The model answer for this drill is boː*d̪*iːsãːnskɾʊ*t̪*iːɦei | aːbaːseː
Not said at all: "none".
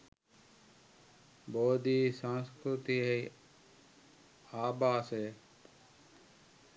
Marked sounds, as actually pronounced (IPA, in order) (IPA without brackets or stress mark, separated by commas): d̪, t̪